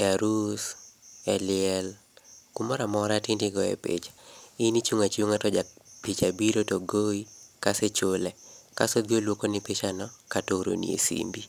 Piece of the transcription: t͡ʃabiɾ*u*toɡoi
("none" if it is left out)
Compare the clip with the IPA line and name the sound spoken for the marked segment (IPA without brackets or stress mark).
o